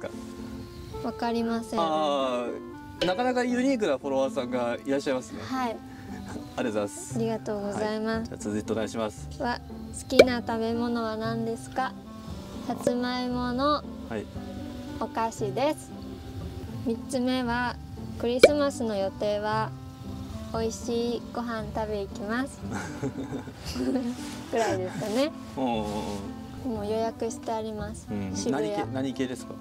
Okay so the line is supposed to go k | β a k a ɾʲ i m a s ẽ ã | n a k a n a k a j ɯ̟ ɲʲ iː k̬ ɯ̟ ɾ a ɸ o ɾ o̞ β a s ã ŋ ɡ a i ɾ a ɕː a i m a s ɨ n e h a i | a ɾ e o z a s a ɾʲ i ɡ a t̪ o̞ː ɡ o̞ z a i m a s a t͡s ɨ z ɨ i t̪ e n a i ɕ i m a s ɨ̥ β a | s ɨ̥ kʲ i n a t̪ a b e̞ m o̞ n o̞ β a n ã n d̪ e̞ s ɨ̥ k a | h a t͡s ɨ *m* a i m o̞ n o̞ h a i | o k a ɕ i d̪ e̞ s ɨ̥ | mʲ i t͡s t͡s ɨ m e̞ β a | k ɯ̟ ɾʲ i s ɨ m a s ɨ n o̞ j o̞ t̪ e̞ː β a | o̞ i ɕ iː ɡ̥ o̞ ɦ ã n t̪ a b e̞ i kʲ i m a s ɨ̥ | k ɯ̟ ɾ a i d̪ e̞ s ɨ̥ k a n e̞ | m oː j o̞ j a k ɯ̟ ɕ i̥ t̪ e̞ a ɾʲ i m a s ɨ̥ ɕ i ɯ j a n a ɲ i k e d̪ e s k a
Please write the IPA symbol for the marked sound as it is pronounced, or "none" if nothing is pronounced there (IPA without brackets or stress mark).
m